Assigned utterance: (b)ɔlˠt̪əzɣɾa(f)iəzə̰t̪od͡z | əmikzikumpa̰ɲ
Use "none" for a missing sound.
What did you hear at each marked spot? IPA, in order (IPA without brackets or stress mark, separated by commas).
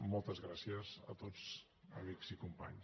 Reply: m, s